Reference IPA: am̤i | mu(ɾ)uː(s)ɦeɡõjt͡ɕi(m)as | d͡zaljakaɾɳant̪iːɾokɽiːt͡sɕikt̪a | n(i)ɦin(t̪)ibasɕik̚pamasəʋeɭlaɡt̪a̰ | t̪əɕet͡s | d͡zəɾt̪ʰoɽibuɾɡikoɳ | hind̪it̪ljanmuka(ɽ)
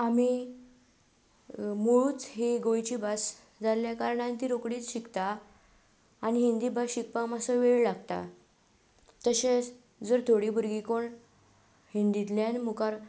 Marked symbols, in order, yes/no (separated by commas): no, no, no, yes, no, no